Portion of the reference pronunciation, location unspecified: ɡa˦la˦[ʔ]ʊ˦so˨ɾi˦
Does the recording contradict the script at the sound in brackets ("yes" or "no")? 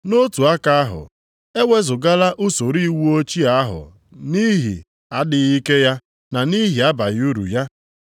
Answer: no